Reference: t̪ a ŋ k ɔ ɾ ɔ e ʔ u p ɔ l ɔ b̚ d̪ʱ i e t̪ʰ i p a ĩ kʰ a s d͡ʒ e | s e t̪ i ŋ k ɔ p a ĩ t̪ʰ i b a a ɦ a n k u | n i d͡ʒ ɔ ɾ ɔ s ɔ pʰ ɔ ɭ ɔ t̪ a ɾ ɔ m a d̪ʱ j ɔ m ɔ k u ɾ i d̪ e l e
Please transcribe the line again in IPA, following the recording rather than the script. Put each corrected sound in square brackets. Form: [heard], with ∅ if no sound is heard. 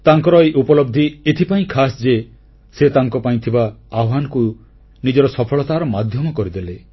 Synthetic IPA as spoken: t̪ a ŋ k ɔ ɾ ɔ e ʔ u p ɔ l ɔ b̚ d̪ʱ i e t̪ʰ i p a ĩ kʰ a s d͡ʒ e | s e t̪ [a] ŋ k ɔ p a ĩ t̪ʰ i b a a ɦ a n k u | n i d͡ʒ ɔ ɾ ɔ s ɔ pʰ ɔ ɭ ɔ t̪ a ɾ ɔ m a d̪ʱ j ɔ m ɔ k [ɔ] ɾ i d̪ e l e

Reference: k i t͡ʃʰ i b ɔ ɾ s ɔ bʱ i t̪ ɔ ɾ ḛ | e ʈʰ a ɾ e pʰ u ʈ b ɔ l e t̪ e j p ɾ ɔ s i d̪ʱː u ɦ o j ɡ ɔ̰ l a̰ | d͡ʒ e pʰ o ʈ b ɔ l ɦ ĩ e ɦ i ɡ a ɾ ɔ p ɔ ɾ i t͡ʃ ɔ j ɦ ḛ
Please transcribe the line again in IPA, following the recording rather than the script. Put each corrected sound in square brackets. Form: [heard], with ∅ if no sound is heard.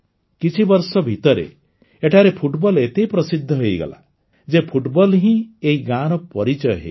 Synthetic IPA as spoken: k i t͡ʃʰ i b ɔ ɾ s ɔ bʱ i t̪ ɔ ɾ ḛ | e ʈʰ a ɾ e pʰ u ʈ b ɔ l e t̪ e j p ɾ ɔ s i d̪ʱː [ɔ] ɦ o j ɡ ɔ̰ l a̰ | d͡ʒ e pʰ [u] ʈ b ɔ l ɦ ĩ e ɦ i ɡ a ɾ ɔ p ɔ ɾ i t͡ʃ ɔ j ɦ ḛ

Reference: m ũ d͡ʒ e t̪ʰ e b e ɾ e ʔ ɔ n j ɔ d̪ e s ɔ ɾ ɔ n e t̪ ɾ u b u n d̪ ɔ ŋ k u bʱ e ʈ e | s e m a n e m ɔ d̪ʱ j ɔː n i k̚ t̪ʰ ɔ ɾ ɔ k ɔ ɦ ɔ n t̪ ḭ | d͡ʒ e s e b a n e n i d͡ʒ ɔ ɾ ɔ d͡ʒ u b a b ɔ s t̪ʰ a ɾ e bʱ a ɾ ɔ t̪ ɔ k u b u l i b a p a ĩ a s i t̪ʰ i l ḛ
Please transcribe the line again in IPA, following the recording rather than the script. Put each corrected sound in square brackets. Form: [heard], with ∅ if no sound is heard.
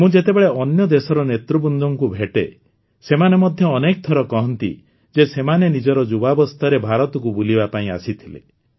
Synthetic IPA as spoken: m ũ d͡ʒ e [t̪] e b e [ɭ] e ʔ ɔ n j ɔ d̪ e s ɔ ɾ ɔ n e t̪ ɾ u b u n d̪ ɔ ŋ k u bʱ e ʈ e | s e m a n e m ɔ d̪ʱ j ɔː n [e] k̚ t̪ʰ ɔ ɾ ɔ k ɔ ɦ ɔ n t̪ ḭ | d͡ʒ e s e [m] a n e n i d͡ʒ ɔ ɾ ɔ d͡ʒ u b a b ɔ s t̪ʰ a ɾ e bʱ a ɾ ɔ t̪ ɔ k u b u l i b a p a ĩ a s i t̪ʰ i l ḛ

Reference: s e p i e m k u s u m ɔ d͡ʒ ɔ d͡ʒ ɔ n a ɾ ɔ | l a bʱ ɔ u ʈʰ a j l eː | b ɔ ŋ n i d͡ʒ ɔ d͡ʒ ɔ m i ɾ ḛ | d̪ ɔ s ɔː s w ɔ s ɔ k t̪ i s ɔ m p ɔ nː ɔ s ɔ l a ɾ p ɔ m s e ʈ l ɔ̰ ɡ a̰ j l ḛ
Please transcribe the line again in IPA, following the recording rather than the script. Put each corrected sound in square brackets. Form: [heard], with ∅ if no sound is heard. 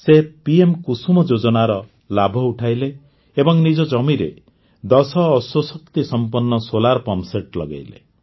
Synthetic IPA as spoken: s e p i e m k u s u m ɔ d͡ʒ [o] d͡ʒ ɔ n a ɾ ɔ | l a bʱ ɔ u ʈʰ a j l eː | b ɔ ŋ n i d͡ʒ ɔ d͡ʒ ɔ m i ɾ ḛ | d̪ ɔ s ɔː s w ɔ s ɔ k t̪ i s ɔ m p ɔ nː ɔ s [o] l a ɾ p ɔ m s e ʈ l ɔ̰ ɡ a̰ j l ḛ

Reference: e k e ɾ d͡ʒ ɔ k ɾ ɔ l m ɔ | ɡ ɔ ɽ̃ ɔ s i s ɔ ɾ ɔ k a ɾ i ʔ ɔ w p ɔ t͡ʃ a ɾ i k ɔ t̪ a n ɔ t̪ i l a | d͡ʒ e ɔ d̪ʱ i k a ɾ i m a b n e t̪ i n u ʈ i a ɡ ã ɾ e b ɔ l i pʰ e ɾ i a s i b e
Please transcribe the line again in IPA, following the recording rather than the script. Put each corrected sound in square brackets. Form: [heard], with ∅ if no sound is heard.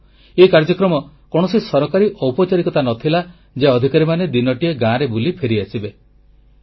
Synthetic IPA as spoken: e k [a] ɾ d͡ʒ ɔ k ɾ ɔ [∅] m ɔ | [k] ɔ ɽ̃ ɔ s i s ɔ ɾ ɔ k a ɾ i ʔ ɔ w p ɔ t͡ʃ a ɾ i k ɔ t̪ a n ɔ [t̪ʰ] i l a | d͡ʒ e ɔ d̪ʱ i k a ɾ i m a [∅] n e [d̪] i n [ɔ] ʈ i [e] ɡ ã ɾ e b [u] l i pʰ e ɾ i a s i b e

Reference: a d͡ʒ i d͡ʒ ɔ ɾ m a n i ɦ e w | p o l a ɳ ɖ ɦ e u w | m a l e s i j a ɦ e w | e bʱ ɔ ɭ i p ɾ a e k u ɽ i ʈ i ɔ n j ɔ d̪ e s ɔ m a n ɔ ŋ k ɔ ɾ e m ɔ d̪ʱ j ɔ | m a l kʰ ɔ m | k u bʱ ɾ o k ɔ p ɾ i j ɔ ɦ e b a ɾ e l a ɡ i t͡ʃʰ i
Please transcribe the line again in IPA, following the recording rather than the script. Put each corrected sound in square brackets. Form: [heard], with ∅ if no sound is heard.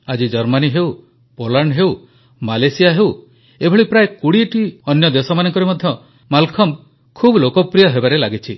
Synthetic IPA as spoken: a d͡ʒ i d͡ʒ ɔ ɾ m a n i ɦ e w | p o l a ɳ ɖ ɦ e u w | m a l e s i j a ɦ e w | e bʱ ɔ ɭ i p ɾ a e k u ɽ i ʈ i ɔ n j ɔ d̪ e s ɔ m a n ɔ ŋ k ɔ ɾ e m ɔ d̪ʱ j ɔ | m a l kʰ ɔ m | [kʰ] u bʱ [l] o k ɔ p ɾ i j ɔ ɦ e b a ɾ e l a ɡ i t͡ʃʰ i

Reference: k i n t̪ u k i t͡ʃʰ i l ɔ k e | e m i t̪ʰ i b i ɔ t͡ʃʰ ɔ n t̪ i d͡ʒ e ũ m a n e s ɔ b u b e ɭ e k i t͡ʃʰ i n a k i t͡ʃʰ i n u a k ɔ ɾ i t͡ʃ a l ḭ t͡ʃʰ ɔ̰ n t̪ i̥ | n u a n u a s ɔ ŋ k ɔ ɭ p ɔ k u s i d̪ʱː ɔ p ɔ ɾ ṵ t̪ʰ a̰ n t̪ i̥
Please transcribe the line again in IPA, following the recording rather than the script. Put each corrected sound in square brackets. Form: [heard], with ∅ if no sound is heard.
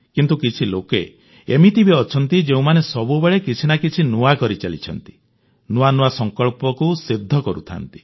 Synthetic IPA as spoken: k i n t̪ u k i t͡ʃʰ i l [o] k e | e m i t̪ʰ i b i ɔ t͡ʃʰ ɔ n t̪ i d͡ʒ e ũ m a n e s ɔ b u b e ɭ e k i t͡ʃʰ i n a k i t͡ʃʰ i n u a k ɔ ɾ i t͡ʃ a l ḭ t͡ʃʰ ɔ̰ n t̪ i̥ | n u a n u a s ɔ ŋ k ɔ ɭ p ɔ k u s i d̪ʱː ɔ [k] ɔ ɾ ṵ t̪ʰ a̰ n t̪ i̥

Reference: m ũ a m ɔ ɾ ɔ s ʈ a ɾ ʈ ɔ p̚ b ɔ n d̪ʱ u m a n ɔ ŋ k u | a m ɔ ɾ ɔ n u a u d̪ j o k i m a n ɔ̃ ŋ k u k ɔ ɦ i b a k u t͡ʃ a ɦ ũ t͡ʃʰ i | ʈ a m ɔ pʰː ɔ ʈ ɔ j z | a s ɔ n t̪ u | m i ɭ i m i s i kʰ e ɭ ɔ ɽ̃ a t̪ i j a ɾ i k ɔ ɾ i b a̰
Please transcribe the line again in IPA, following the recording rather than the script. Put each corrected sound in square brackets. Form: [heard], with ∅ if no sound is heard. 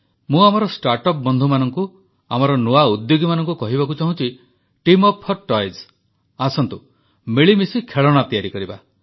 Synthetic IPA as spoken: m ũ a m ɔ ɾ ɔ s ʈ a ɾ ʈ ɔ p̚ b ɔ n d̪ʱ u m a n ɔ ŋ k u | a m ɔ ɾ ɔ n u a u d̪ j o [ɡ] i m a n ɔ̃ ŋ k u k ɔ ɦ i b a k u t͡ʃ a ɦ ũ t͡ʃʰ i | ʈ [i] m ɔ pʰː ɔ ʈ ɔ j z | a s ɔ n t̪ u | m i ɭ i m i s i kʰ e ɭ ɔ ɽ̃ a t̪ i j a ɾ i k ɔ ɾ i b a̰

